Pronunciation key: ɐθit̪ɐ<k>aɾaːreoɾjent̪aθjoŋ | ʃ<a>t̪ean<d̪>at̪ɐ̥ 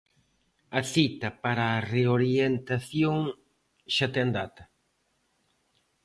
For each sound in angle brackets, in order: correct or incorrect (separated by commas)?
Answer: incorrect, correct, correct